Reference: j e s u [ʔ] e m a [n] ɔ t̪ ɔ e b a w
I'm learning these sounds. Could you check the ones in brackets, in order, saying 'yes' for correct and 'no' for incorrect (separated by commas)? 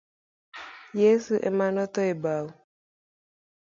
yes, yes